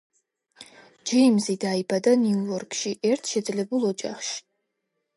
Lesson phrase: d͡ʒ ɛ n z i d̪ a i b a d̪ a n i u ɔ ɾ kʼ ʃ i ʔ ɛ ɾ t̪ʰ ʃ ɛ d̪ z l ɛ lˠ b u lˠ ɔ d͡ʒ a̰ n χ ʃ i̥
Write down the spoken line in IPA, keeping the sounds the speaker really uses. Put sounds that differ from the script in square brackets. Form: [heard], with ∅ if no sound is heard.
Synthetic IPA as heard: d͡ʒ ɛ [m] z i d̪ a i b a d̪ a n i u ɔ ɾ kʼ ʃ i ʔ ɛ ɾ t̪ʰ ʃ ɛ d̪ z l ɛ [∅] b u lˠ ɔ d͡ʒ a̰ [∅] χ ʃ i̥

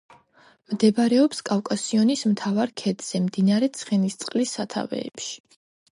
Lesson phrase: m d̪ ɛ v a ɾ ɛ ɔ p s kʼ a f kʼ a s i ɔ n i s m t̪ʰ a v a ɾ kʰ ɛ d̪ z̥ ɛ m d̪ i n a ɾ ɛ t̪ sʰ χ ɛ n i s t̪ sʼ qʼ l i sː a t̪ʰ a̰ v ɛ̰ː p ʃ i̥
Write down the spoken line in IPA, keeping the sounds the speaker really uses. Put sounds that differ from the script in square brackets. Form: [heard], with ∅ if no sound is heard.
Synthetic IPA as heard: m d̪ ɛ [b] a ɾ ɛ ɔ p s kʼ a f kʼ a s i ɔ n i s m t̪ʰ a v a ɾ kʰ ɛ d̪ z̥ ɛ m d̪ i n a ɾ ɛ t̪ sʰ χ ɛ n i s t̪ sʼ qʼ l i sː a t̪ʰ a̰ v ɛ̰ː p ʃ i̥

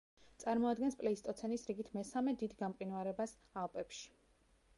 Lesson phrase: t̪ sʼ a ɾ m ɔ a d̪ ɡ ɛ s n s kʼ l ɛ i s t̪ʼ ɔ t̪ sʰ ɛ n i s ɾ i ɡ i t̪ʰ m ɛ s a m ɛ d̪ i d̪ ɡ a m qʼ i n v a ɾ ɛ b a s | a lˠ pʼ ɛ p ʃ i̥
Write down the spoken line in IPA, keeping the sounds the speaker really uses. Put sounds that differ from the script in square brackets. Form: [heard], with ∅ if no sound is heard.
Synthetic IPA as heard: t̪ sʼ a ɾ m ɔ a d̪ ɡ ɛ [∅] n s [pʼ] l ɛ i s t̪ʼ ɔ t̪ sʰ ɛ n i s ɾ i ɡ i t̪ʰ m ɛ s a m ɛ d̪ i d̪ ɡ a m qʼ i n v a ɾ ɛ b a s | a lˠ pʼ ɛ p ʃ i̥

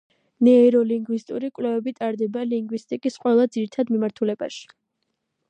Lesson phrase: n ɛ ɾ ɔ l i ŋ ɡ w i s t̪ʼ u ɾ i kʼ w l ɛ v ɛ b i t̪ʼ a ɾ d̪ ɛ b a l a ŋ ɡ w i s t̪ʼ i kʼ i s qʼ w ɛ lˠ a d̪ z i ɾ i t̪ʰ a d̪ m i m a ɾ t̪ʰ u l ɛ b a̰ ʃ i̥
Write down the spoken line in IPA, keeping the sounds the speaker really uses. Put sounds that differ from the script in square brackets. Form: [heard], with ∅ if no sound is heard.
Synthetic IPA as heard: n ɛ ɾ ɔ l i ŋ ɡ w i s t̪ʼ u ɾ i kʼ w l ɛ v ɛ b i t̪ʼ a ɾ d̪ ɛ b a l [i] ŋ ɡ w i s t̪ʼ i kʼ i s qʼ w ɛ lˠ a d̪ z i ɾ i t̪ʰ a d̪ m i m a ɾ t̪ʰ u l ɛ b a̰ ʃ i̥

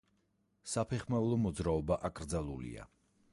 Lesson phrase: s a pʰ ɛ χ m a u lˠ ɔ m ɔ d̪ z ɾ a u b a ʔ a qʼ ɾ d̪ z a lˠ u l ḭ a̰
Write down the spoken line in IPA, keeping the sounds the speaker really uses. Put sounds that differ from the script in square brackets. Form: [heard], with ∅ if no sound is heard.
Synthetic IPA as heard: s a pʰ ɛ χ m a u lˠ ɔ m ɔ d̪ z ɾ a [ɔ] b a ʔ a [kʼ] ɾ d̪ z a lˠ u l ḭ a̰

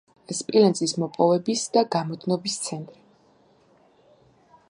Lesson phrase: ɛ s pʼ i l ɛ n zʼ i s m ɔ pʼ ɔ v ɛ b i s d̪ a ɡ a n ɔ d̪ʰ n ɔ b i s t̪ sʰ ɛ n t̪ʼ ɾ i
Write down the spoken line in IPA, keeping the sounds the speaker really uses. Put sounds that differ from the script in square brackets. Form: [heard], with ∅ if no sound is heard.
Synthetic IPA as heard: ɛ s pʼ i l ɛ n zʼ i s m ɔ pʼ ɔ v ɛ b i s d̪ a ɡ a [m] ɔ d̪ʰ n ɔ b i s t̪ sʰ ɛ n t̪ʼ ɾ i

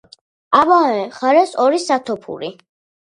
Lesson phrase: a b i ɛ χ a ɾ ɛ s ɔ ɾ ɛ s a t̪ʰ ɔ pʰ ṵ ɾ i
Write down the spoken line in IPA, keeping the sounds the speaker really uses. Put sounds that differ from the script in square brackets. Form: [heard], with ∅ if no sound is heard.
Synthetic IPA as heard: a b [a] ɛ χ a ɾ ɛ s ɔ ɾ [i] s a t̪ʰ ɔ pʰ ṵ ɾ i

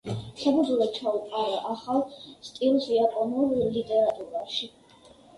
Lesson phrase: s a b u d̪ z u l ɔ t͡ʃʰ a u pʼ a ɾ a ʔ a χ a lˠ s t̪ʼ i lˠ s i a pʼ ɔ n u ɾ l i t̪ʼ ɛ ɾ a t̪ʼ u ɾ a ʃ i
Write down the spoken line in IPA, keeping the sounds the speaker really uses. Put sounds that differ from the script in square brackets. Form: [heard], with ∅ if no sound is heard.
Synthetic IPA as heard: s a b u d̪ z u l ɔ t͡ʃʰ a u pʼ a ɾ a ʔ a χ a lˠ s t̪ʼ i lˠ s i a pʼ ɔ n u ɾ l i t̪ʼ ɛ ɾ a t̪ʼ u ɾ a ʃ i

